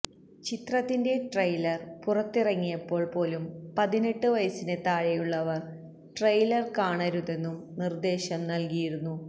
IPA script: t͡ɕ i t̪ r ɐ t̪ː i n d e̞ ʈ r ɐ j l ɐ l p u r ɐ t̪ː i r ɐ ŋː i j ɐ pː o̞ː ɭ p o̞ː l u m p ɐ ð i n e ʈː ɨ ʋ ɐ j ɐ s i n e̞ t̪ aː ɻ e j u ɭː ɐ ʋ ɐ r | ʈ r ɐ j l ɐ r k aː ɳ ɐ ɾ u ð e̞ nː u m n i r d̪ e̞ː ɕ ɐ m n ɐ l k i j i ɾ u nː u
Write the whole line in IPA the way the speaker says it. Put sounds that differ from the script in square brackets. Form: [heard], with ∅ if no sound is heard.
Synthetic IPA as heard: t͡ɕ i t̪ r ɐ t̪ː i n d e̞ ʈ r ɐ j l ɐ [r] p u r ɐ t̪ː i r ɐ ŋː i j ɐ pː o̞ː ɭ p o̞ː l u m p ɐ ð i n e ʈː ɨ ʋ ɐ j ɐ s i n e̞ t̪ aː ɻ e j u ɭː ɐ ʋ ɐ r | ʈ r ɐ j l ɐ r k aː ɳ ɐ ɾ u ð e̞ nː u m n i r d̪ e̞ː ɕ ɐ m n ɐ l k i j i ɾ u nː u